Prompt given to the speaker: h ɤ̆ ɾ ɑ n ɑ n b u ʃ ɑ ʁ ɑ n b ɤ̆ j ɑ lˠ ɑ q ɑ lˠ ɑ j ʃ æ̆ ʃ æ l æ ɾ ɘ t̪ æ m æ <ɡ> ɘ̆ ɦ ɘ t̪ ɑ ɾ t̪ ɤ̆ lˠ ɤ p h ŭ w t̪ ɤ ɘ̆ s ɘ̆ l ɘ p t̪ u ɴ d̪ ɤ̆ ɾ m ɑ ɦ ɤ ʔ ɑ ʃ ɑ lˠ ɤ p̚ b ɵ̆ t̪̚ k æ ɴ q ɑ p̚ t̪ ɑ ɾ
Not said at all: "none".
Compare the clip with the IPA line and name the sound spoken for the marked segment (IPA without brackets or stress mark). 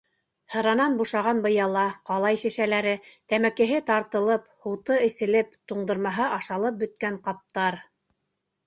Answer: k